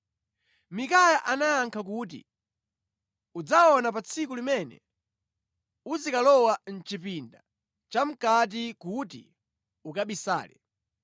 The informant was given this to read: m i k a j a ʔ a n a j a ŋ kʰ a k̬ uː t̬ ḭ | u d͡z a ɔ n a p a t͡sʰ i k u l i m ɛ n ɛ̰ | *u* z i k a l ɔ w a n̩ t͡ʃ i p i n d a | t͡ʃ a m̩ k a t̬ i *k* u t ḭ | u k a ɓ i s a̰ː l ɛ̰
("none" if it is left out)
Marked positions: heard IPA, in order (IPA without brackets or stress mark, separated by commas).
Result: u, k